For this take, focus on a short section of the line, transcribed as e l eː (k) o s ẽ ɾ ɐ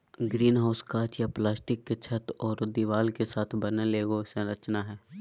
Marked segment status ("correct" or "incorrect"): incorrect